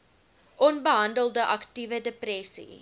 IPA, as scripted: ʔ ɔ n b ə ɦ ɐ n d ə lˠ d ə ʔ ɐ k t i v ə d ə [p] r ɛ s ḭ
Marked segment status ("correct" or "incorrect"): correct